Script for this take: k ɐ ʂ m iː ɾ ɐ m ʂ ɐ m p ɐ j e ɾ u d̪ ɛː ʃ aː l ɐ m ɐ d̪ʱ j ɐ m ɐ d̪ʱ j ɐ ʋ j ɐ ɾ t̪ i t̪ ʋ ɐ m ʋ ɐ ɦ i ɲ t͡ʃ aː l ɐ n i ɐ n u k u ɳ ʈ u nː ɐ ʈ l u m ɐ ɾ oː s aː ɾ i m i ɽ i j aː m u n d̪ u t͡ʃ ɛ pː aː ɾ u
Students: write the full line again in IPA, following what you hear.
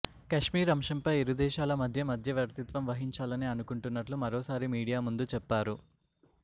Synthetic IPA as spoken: k ɐ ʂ m iː ɾ ɐ m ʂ ɐ m p ɐ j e ɾ u d̪ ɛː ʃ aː l ɐ m ɐ d̪ʱ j ɐ m ɐ d̪ʱ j ɐ ʋ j ɐ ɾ t̪ i t̪ ʋ ɐ m ʋ ɐ ɦ i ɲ t͡ʃ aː l ɐ n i ɐ n u k u ɳ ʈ u nː ɐ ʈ l u m ɐ ɾ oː s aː ɾ i m iː ɽ i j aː m u n d̪ u t͡ʃ ɛ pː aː ɾ u